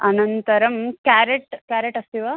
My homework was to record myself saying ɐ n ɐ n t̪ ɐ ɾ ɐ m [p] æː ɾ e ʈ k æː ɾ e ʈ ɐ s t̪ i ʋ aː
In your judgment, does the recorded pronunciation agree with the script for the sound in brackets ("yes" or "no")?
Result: no